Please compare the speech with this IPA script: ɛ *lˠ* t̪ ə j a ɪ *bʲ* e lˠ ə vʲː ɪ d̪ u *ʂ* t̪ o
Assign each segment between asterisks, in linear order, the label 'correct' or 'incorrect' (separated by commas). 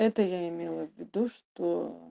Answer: incorrect, incorrect, correct